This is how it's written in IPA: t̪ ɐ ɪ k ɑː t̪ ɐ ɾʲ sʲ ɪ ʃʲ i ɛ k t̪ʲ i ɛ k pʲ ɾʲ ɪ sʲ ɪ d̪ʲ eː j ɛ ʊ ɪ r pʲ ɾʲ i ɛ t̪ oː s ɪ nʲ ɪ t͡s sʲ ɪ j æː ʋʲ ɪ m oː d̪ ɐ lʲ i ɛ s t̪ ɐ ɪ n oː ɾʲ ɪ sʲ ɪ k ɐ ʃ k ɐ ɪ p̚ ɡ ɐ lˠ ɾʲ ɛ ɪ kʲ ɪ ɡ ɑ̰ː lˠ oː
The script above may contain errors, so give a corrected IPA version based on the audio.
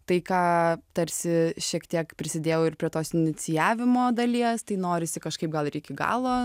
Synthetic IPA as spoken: t̪ ɐ ɪ k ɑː t̪ ɐ ɾʲ sʲ ɪ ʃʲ i ɛ k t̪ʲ i ɛ k pʲ ɾʲ ɪ sʲ ɪ d̪ʲ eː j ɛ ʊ ɪ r pʲ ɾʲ i ɛ t̪ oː s ɪ nʲ ɪ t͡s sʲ ɪ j æː ʋʲ ɪ m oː d̪ ɐ lʲ i ɛ s t̪ ɐ ɪ n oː ɾʲ ɪ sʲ ɪ k ɐ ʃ k ɐ ɪ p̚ ɡ ɐ lˠ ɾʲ ɛ ɪ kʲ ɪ ɡ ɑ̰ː lˠ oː

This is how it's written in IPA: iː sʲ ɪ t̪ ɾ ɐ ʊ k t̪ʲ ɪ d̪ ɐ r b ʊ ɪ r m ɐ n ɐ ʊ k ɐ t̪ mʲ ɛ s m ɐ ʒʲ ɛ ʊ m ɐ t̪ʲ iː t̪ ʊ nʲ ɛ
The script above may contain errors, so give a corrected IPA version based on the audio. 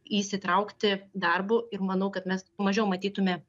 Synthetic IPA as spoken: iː sʲ ɪ t̪ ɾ ɐ ʊ k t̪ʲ ɪ d̪ ɐ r b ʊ ɪ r m ɐ n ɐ ʊ k ɐ t̪ mʲ ɛ s m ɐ ʒʲ ɛ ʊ m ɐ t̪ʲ iː t̪ ʊ mʲ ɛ

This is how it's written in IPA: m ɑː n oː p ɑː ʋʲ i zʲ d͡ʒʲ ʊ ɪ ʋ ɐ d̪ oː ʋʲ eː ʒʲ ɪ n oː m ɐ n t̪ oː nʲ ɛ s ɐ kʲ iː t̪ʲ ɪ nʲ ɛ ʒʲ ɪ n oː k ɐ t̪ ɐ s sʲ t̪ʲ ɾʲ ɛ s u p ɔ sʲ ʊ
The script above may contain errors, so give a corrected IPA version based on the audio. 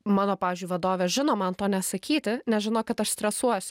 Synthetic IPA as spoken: m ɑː n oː p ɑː ʋʲ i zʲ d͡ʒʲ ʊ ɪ ʋ ɐ d̪ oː ʋʲ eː ʒʲ ɪ n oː m ɐ n t̪ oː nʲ ɛ s ɐ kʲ iː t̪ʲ ɪ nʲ ɛ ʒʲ ɪ n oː k ɐ t̪ ɐ ʃ sʲ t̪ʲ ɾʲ ɛ s u ɔ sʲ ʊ

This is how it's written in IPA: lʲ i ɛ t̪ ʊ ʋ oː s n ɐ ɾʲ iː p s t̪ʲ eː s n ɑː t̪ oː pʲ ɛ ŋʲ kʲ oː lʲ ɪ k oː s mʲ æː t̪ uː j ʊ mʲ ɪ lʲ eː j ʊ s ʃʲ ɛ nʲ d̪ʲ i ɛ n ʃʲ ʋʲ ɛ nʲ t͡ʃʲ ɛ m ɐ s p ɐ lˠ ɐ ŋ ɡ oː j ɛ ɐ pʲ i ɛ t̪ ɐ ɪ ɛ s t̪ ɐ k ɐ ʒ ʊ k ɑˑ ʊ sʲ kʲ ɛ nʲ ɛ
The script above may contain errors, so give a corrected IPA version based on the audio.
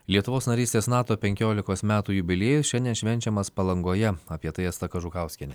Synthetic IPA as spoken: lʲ i ɛ t̪ ʊ ʋ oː s n ɐ ɾʲ iː s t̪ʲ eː s n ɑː t̪ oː pʲ ɛ ŋʲ kʲ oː lʲ ɪ k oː s mʲ æː t̪ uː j ʊ bʲ ɪ lʲ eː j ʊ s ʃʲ ɛ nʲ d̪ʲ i ɛ n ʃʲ ʋʲ ɛ nʲ t͡ʃʲ ɛ m ɐ s p ɐ lˠ ɐ ŋ ɡ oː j ɛ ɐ pʲ i ɛ t̪ ɐ ɪ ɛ s t̪ ɐ k ɐ ʒ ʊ k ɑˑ ʊ sʲ kʲ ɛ nʲ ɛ

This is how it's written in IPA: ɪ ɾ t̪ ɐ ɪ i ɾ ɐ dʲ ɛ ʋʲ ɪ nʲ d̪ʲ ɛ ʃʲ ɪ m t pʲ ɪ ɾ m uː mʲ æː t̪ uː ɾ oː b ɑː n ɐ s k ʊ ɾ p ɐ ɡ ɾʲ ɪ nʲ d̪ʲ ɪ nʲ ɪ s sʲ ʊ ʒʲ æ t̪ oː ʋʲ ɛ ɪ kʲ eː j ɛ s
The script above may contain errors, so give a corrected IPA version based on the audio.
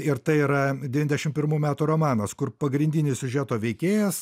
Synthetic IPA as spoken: ɪ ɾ t̪ ɐ ɪ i ɾ ɐ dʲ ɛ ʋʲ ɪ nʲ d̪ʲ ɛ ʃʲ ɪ m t pʲ ɪ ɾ m uː mʲ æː t̪ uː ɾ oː m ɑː n ɐ s k ʊ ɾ p ɐ ɡ ɾʲ ɪ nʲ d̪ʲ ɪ nʲ ɪ s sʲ ʊ ʒʲ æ t̪ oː ʋʲ ɛ ɪ kʲ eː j ɛ s

